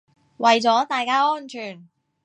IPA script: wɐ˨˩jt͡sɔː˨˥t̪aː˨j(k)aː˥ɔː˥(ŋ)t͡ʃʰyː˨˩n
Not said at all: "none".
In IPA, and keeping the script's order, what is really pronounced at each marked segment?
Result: k, n

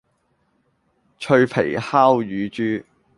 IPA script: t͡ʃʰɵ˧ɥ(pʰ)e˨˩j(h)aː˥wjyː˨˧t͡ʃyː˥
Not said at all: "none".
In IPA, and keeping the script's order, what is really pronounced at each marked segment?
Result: pʰ, h

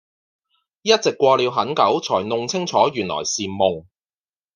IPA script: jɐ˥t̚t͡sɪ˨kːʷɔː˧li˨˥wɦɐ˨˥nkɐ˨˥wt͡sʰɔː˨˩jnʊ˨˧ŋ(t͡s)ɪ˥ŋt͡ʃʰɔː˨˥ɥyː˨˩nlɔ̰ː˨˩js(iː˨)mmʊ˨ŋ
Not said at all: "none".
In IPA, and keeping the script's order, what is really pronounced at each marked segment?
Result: t͡sʰ, iː˨

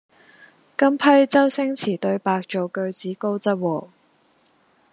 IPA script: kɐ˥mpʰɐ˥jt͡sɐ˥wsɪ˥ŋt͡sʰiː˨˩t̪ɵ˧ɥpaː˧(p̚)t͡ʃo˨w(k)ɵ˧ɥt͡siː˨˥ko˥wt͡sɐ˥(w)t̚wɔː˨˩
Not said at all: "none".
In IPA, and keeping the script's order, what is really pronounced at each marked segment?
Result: k̚, k, none

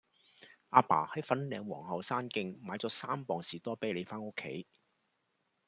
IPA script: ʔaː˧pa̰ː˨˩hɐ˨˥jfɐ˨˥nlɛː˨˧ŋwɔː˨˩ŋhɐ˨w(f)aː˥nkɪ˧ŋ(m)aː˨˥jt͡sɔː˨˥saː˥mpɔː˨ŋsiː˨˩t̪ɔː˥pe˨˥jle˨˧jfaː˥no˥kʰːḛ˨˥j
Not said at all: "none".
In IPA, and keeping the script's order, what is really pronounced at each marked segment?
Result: s, m

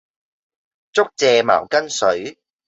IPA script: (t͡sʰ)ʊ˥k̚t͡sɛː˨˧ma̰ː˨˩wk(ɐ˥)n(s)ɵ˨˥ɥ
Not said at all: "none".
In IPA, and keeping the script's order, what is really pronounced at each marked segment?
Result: t͡s, ɐ˥, s

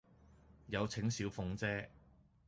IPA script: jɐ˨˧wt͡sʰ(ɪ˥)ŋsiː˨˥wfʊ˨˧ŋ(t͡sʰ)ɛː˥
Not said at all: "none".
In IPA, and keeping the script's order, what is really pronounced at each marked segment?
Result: ɪ˨˥, t͡s

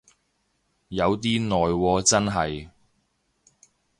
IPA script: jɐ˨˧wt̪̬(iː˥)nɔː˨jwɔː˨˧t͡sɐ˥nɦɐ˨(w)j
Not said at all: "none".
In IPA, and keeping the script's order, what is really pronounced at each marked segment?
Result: iː˥, none

